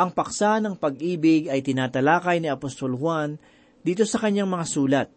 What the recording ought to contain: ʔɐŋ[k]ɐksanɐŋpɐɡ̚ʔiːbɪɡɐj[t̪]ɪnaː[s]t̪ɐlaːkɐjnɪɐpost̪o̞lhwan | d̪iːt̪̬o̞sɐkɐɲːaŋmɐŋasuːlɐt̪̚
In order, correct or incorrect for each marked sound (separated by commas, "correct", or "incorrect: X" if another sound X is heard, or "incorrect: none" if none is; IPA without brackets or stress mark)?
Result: incorrect: p, correct, incorrect: none